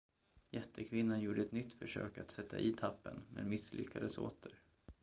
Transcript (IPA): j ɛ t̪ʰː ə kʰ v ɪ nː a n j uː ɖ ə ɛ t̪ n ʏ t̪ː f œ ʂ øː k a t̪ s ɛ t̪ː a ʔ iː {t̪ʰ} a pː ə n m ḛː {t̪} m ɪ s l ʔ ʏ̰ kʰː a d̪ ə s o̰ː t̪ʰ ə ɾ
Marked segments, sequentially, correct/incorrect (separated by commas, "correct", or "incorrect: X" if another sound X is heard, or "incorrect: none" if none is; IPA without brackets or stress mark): correct, incorrect: d̪